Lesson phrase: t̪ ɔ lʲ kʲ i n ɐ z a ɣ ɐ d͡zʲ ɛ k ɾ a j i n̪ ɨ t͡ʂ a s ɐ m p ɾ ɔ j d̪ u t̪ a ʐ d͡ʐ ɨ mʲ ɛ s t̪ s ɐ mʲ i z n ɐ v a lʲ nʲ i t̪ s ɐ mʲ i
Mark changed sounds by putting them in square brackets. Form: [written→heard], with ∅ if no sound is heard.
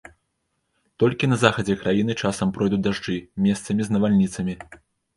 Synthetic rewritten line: t̪ ɔ lʲ kʲ i n ɐ z a [ɣ→x] ɐ d͡zʲ ɛ k ɾ a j i n̪ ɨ t͡ʂ a s ɐ m p ɾ ɔ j d̪ u [t̪→d̪] a ʐ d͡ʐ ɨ mʲ ɛ s t̪ s ɐ mʲ i z n ɐ v a lʲ nʲ i t̪ s ɐ mʲ i

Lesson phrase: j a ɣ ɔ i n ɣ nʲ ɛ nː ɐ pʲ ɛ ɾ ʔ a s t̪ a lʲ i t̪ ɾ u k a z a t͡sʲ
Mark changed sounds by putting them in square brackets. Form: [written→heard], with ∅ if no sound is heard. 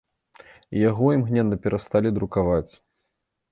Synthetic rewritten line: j a ɣ ɔ i [n→m] ɣ nʲ ɛ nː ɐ pʲ ɛ ɾ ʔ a s t̪ a lʲ i [t̪→d̪] ɾ u k a [z→v] a t͡sʲ

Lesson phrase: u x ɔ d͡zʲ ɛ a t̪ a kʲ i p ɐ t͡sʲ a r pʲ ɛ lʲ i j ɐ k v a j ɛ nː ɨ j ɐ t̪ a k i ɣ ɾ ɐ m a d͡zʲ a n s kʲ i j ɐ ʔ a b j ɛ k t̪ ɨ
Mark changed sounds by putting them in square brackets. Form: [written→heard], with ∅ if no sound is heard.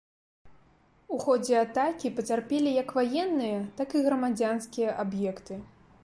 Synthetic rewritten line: u x ɔ d͡zʲ ɛ a t̪ a kʲ i p ɐ t͡sʲ a r pʲ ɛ lʲ i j ɐ k v a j ɛ nː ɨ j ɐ t̪ a k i ɣ ɾ ɐ m a d͡zʲ a n s kʲ i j ɐ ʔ a b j ɛ k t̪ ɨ

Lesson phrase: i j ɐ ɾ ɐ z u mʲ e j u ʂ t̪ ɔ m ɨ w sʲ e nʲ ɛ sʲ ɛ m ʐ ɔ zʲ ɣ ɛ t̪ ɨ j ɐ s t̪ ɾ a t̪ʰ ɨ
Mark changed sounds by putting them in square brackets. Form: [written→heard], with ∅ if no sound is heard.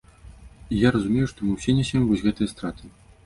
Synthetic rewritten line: i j [ɐ→a] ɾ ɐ z u mʲ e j u ʂ t̪ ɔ m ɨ w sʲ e nʲ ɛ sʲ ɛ m [ʐ→v] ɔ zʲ ɣ ɛ t̪ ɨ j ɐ s t̪ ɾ a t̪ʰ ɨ

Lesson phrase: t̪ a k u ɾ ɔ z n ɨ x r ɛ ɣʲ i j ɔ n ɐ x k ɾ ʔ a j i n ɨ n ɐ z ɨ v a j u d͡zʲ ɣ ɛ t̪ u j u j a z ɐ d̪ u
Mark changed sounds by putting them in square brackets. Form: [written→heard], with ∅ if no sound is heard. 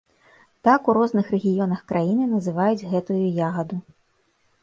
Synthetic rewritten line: t̪ a k u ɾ ɔ z n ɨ x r ɛ ɣʲ i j ɔ n ɐ x k ɾ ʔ a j i n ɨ n ɐ z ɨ v a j u d͡zʲ ɣ ɛ t̪ u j u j a [z→ɣ] ɐ d̪ u

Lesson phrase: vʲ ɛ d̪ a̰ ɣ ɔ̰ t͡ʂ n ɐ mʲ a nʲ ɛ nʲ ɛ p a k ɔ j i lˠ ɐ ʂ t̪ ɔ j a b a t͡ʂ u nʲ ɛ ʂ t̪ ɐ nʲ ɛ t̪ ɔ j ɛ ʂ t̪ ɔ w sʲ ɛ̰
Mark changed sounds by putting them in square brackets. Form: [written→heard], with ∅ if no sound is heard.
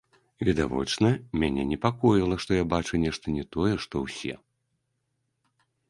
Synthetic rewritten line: vʲ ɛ d̪ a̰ [ɣ→v] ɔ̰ t͡ʂ n ɐ mʲ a nʲ ɛ nʲ ɛ p a k ɔ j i lˠ ɐ ʂ t̪ ɔ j a b a t͡ʂ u nʲ ɛ ʂ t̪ ɐ nʲ ɛ t̪ ɔ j ɛ ʂ t̪ ɔ w sʲ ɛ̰

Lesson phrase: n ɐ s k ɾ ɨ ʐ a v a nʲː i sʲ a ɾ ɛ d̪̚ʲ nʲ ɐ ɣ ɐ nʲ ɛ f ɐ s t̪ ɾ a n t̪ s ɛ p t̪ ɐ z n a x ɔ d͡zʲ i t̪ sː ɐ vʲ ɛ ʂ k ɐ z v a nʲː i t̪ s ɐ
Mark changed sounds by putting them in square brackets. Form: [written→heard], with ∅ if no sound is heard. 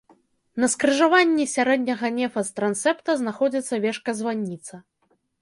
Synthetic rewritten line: n ɐ s k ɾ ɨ ʐ a v a nʲː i sʲ a ɾ ɛ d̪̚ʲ nʲ ɐ ɣ ɐ nʲ ɛ f ɐ s t̪ ɾ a n t̪ s ɛ p t̪ ɐ z n a x ɔ d͡zʲ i t̪ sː ɐ vʲ ɛ ʂ k ɐ z v a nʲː i t̪ s ɐ

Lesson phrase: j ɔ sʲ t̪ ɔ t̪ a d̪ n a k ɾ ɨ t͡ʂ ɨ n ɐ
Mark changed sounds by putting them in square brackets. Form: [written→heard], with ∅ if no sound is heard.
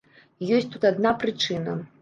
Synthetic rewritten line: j ɔ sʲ t̪ [ɔ→u] t̪ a d̪ n a [k→p] ɾ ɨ t͡ʂ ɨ n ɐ

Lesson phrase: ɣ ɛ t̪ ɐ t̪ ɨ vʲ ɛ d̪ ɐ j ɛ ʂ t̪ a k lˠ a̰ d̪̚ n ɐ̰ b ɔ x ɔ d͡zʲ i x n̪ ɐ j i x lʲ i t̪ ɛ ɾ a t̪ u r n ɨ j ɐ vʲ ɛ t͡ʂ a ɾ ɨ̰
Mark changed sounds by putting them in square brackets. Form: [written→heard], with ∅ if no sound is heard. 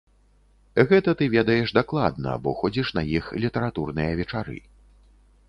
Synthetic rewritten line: ɣ ɛ t̪ ɐ t̪ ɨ vʲ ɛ d̪ ɐ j ɛ ʂ [t̪→d̪] a k lˠ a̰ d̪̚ n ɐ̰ b ɔ x ɔ d͡zʲ i [x→ʂ] n̪ ɐ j i x lʲ i t̪ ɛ ɾ a t̪ u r n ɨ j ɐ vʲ ɛ t͡ʂ a ɾ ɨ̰

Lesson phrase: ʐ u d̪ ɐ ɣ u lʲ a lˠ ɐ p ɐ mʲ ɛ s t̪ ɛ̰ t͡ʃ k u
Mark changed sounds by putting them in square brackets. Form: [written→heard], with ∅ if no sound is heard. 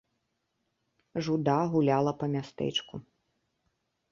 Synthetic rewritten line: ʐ u d̪ [ɐ→a] ɣ u lʲ a lˠ ɐ p ɐ mʲ [ɛ→a] s t̪ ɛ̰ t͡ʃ k u

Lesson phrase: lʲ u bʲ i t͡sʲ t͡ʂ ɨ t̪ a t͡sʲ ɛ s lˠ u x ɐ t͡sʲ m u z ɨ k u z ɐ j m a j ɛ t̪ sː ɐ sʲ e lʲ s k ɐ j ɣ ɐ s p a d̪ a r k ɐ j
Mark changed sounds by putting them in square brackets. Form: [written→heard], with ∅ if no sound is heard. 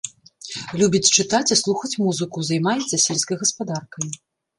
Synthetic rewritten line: lʲ u bʲ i t͡sʲ t͡ʂ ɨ t̪ a t͡sʲ [ɛ→i] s lˠ u x ɐ t͡sʲ m u z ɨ k u z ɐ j m a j ɛ t̪ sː ɐ sʲ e lʲ s k ɐ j ɣ ɐ s p a d̪ a r k ɐ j

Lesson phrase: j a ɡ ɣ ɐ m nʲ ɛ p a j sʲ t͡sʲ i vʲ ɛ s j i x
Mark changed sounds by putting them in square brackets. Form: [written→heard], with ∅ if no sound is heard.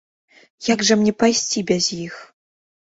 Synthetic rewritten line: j a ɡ [ɣ→ʐ] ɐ m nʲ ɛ p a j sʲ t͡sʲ i [vʲ→bʲ] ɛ [s→z] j i x

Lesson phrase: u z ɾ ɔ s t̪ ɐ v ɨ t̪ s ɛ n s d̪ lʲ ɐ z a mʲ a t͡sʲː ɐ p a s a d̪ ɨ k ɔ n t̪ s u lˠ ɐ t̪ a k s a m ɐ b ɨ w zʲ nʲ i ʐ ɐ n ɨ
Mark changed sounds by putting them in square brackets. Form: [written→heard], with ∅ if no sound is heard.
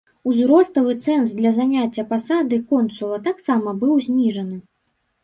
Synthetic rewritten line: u z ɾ ɔ s t̪ ɐ v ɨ t̪ s ɛ n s d̪ lʲ ɐ z a [mʲ→nʲ] a t͡sʲː ɐ p a s a d̪ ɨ k ɔ n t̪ s u lˠ ɐ t̪ a k s a m ɐ b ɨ w zʲ nʲ i ʐ ɐ n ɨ

